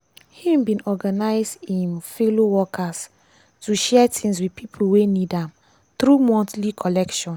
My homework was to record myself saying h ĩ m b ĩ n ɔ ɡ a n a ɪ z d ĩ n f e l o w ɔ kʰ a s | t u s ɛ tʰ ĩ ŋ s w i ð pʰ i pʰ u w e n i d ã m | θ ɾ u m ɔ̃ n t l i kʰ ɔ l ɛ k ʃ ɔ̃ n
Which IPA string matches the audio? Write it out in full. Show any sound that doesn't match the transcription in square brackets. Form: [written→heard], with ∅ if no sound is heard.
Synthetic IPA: h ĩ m b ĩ n ɔ ɡ a n a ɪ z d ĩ n f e l o w ɔ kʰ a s | t u [s→ʃ] ɛ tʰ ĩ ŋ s w i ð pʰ i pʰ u w e n i d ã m | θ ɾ u m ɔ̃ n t l i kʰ ɔ l ɛ k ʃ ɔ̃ n